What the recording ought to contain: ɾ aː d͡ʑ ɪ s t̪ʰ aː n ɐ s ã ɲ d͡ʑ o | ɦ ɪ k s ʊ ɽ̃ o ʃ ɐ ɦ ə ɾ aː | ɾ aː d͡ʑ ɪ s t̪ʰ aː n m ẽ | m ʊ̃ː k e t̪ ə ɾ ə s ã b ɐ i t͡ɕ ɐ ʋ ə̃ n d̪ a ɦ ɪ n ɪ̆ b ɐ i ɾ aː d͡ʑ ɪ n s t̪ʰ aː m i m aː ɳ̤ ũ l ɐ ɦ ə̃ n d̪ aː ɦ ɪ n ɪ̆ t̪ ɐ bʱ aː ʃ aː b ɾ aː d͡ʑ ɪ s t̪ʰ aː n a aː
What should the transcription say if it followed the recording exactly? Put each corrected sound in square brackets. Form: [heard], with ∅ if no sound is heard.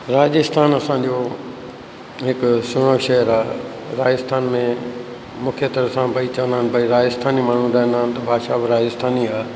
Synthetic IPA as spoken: ɾ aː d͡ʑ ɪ s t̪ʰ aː n ɐ s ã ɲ d͡ʑ o | ɦ ɪ k s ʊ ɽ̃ o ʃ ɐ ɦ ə ɾ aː | ɾ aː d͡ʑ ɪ s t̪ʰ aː n m ẽ | m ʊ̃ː [kʰ] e t̪ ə ɾ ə s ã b ɐ i t͡ɕ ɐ ʋ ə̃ n d̪ a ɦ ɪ n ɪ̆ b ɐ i ɾ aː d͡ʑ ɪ [∅] s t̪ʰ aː [n] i m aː ɳ̤ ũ [ɾ] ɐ ɦ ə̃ n d̪ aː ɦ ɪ n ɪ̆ t̪ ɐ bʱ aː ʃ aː b ɾ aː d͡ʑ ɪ s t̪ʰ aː n [i] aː